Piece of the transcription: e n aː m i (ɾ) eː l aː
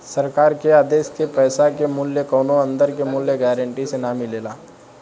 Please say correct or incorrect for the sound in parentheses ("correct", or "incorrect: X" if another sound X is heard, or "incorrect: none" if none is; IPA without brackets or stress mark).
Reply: incorrect: l